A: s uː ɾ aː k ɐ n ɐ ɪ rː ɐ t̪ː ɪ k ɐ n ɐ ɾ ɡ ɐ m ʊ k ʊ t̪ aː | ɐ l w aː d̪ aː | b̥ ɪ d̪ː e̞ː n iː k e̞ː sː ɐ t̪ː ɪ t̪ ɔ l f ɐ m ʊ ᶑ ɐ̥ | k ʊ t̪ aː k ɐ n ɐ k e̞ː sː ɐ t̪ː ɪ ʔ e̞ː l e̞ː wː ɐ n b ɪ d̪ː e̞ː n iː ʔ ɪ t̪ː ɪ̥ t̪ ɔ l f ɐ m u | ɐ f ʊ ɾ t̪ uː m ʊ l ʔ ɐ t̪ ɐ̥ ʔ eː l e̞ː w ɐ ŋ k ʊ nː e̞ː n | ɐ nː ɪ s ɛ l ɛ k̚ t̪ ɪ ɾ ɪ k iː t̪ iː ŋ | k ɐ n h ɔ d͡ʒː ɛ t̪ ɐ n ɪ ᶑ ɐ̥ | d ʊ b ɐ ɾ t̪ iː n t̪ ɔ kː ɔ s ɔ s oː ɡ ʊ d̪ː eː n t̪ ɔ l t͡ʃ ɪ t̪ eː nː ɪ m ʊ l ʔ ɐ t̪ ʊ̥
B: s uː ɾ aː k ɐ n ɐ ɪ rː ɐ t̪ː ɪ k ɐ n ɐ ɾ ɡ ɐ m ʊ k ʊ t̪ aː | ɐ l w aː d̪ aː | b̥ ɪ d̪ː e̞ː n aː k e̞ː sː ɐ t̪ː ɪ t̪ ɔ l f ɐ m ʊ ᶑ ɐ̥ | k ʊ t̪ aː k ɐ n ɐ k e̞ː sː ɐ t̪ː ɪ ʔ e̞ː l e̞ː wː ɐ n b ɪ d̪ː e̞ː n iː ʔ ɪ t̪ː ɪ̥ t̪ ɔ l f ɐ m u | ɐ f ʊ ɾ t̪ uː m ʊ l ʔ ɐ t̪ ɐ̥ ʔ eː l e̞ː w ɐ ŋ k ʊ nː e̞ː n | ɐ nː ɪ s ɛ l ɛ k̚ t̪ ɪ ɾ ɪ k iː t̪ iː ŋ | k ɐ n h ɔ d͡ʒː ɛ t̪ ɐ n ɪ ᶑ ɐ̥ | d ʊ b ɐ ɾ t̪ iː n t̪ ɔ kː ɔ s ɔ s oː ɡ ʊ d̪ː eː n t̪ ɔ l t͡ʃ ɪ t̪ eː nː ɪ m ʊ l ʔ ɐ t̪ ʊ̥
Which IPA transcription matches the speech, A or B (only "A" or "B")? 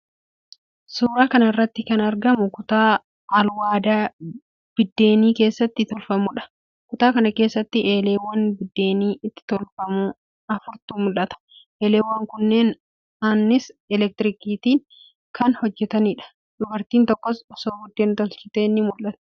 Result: A